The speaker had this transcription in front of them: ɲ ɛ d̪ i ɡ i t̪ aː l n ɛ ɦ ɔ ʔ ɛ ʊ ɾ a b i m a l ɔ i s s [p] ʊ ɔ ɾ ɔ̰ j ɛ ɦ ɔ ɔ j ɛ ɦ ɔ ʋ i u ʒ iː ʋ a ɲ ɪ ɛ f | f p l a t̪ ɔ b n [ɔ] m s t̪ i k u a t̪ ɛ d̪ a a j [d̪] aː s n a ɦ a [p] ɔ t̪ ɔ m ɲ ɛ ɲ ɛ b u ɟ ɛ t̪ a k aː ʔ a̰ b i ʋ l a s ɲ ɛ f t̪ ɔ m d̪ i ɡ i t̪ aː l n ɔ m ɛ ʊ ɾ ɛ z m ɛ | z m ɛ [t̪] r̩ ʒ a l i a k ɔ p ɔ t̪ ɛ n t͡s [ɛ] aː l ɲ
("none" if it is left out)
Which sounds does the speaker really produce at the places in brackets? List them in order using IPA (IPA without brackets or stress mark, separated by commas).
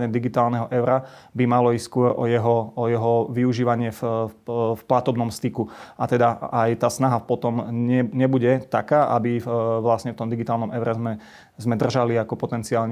k, ɔ, t̪, p, d̪, i